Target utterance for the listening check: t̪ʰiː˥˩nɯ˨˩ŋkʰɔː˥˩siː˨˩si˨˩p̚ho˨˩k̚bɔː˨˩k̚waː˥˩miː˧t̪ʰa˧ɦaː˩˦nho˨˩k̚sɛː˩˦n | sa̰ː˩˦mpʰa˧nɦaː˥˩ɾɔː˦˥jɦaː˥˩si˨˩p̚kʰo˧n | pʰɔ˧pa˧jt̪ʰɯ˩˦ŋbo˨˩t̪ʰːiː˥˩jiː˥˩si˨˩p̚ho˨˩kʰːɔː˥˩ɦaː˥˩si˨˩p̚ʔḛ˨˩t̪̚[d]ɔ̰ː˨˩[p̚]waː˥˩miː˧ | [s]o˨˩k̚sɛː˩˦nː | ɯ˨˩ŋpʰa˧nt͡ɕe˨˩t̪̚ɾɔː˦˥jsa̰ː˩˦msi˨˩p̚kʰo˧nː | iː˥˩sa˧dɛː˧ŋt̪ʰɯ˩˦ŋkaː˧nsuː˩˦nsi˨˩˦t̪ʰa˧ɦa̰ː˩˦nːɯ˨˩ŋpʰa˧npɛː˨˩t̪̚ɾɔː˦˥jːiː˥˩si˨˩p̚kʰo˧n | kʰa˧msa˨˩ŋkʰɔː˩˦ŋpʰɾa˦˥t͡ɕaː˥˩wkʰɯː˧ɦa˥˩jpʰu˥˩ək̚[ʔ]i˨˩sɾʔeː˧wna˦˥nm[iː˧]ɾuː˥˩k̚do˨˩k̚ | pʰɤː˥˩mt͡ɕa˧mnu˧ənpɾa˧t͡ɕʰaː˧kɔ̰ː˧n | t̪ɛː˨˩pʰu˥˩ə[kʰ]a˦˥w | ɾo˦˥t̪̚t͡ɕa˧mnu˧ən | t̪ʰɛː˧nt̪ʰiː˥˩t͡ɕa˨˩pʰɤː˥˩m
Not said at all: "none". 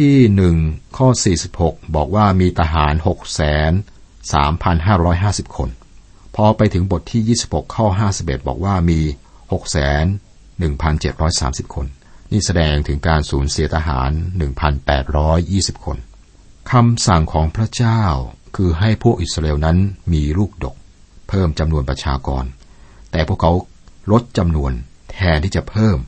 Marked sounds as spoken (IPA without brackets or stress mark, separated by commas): b, k̚, h, ʔ, iː˧, kʰ